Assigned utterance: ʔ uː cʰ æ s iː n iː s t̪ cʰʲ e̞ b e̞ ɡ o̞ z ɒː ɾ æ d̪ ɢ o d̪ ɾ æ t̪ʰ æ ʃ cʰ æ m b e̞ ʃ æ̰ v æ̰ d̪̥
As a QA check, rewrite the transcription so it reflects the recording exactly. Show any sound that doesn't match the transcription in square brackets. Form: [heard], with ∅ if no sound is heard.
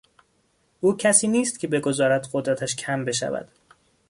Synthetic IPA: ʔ uː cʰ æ s iː n iː s t̪ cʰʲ e̞ b e̞ ɡ o̞ z ɒː ɾ æ d̪ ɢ o d̪ ɾ æ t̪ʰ æ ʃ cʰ æ m b e̞ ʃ æ̰ v æ̰ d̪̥

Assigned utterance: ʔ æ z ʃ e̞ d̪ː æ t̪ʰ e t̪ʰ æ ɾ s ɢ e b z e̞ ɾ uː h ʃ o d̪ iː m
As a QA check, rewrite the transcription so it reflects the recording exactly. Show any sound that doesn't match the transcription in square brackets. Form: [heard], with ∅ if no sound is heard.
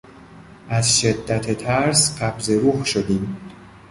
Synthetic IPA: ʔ æ z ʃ e̞ d̪ː æ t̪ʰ e t̪ʰ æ ɾ s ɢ [æ] b z e̞ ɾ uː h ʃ o d̪ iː m

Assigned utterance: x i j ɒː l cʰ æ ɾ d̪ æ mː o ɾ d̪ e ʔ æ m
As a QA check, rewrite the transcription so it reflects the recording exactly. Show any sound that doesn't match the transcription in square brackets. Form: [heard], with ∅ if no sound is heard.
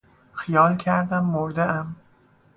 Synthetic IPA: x i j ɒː l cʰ æ ɾ d̪ æ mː o ɾ d̪ e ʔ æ m

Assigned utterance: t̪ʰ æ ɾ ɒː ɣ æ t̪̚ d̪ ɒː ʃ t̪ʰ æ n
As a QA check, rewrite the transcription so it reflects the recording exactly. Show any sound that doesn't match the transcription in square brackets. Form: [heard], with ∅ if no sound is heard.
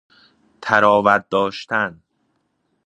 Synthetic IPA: t̪ʰ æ ɾ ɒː [v] æ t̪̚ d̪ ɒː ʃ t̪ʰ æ n

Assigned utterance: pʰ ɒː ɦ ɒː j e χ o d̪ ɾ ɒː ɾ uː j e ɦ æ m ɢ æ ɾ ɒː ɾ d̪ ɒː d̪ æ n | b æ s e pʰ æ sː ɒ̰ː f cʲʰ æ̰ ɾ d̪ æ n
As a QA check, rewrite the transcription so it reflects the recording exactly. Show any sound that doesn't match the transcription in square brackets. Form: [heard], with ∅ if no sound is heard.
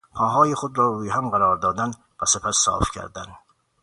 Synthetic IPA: pʰ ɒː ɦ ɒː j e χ o d̪ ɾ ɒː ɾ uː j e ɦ æ m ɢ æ ɾ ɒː ɾ d̪ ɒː d̪ æ n | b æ s e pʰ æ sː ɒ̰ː f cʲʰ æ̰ ɾ d̪ æ n

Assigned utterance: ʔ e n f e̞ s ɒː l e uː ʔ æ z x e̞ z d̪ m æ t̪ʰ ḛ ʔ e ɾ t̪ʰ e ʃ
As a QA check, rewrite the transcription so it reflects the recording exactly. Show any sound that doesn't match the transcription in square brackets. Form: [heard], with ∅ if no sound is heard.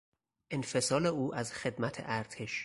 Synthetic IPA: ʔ e n f e̞ s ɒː l e uː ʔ æ z x e̞ [∅] d̪ m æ t̪ʰ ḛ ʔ [æ] ɾ t̪ʰ e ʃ

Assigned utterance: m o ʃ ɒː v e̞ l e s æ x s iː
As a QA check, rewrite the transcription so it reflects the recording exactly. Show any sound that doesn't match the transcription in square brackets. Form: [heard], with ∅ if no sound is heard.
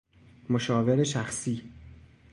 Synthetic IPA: m o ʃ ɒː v e̞ [ɾ] e [ʃ] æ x s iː

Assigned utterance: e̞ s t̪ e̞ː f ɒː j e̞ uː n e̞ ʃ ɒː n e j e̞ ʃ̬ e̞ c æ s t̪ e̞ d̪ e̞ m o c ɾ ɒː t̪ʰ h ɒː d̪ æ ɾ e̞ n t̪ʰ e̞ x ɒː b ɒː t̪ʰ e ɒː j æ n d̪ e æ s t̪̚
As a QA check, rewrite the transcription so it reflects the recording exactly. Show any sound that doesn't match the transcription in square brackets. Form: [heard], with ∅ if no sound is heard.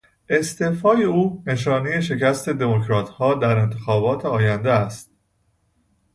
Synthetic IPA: e̞ s t̪ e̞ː f ɒː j e̞ uː n e̞ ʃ ɒː n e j e̞ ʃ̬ e̞ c æ s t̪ e̞ d̪ e̞ m o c ɾ ɒː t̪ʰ h ɒː d̪ æ ɾ e̞ n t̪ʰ e̞ x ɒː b ɒː t̪ʰ e ɒː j æ n d̪ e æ s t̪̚

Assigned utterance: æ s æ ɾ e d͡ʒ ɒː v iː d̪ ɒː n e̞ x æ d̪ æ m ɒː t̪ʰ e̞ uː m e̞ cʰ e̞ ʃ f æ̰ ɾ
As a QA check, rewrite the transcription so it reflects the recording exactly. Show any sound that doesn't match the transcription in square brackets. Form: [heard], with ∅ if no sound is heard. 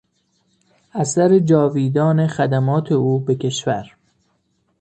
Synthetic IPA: æ s æ ɾ e d͡ʒ ɒː v iː d̪ ɒː n e̞ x æ d̪ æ m ɒː t̪ʰ e̞ uː [b] e̞ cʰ e̞ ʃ [v] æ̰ ɾ

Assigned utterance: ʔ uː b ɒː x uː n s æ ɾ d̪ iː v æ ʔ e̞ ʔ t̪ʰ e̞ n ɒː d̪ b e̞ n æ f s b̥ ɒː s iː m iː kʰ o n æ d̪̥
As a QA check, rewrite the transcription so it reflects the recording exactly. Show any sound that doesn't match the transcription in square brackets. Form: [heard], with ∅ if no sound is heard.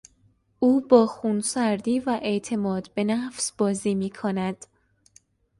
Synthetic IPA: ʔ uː b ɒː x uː n s æ ɾ d̪ iː v æ ʔ e̞ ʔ t̪ʰ e̞ [m] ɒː d̪ b e̞ n æ f s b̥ ɒː [z] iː m iː kʰ o n æ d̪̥

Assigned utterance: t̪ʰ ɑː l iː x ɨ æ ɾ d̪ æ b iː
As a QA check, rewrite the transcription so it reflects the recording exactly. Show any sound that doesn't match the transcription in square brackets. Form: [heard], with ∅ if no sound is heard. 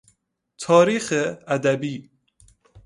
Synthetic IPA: t̪ʰ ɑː [ɾ] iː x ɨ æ [∅] d̪ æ b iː

